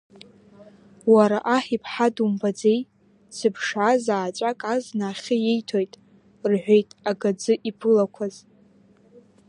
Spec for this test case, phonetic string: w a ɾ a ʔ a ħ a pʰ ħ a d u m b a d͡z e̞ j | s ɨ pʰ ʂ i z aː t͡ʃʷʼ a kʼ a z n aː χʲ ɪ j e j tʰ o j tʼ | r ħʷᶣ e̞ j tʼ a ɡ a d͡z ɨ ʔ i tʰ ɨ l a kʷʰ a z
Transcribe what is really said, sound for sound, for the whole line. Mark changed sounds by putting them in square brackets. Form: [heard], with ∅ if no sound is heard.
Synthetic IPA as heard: w a ɾ a ʔ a ħ [i] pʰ ħ a d u m b a d͡z e̞ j | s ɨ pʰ ʂ [a] z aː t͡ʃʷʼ a kʼ a z n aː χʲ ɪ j e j tʰ o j tʼ | r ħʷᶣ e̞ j tʼ a ɡ a d͡z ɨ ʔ i [pʰ] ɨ l a kʷʰ a z